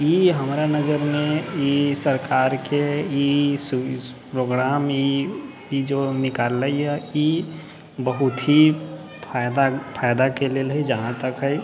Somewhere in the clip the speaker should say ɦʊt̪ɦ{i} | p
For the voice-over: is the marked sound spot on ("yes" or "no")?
yes